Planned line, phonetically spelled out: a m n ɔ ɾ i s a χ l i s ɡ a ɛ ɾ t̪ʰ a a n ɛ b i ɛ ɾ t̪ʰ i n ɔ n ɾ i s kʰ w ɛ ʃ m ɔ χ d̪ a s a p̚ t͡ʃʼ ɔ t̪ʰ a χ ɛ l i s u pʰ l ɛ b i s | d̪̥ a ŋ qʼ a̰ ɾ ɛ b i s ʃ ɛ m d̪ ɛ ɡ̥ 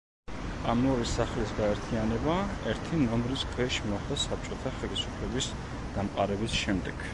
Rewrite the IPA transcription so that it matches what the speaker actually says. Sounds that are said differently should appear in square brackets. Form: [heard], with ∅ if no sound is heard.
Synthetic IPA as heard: a m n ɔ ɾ i s a χ l i s ɡ a ɛ ɾ t̪ʰ [i] a n ɛ b [a] ɛ ɾ t̪ʰ i n ɔ [m] ɾ i s kʰ w ɛ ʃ m ɔ χ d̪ a s a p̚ t͡ʃʼ ɔ t̪ʰ a χ ɛ l i s u pʰ l ɛ b i s | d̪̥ a [m] qʼ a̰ ɾ ɛ b i s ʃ ɛ m d̪ ɛ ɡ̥